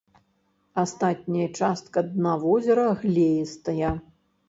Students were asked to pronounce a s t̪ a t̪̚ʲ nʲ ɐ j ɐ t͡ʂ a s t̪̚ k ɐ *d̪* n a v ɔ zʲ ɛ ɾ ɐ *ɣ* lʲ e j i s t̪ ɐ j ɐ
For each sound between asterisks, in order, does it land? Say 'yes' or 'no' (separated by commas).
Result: yes, yes